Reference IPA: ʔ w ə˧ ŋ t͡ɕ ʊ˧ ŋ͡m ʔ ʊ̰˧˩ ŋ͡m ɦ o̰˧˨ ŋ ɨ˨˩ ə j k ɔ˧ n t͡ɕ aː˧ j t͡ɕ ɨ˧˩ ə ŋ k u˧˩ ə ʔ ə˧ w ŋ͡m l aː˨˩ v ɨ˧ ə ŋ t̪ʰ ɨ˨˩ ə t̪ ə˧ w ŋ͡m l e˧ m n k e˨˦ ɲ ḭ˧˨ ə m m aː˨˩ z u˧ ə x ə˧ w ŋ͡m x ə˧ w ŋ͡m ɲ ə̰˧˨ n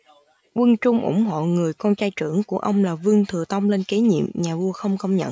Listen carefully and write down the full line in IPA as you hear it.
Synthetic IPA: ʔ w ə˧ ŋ t͡ɕ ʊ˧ ŋ͡m ʔ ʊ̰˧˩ ŋ͡m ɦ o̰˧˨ ŋ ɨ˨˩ ə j k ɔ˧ n t͡ɕ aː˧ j t͡ɕ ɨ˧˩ ə ŋ k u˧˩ ə ʔ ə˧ w ŋ͡m l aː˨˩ v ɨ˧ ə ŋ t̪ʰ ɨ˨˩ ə t̪ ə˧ w ŋ͡m l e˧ n k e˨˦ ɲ ḭ˧˨ ə m ɲ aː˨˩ v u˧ ə x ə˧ w ŋ͡m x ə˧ w ŋ͡m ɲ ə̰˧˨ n